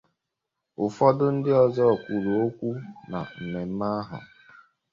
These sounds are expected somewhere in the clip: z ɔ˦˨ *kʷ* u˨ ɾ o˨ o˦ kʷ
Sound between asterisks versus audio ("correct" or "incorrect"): correct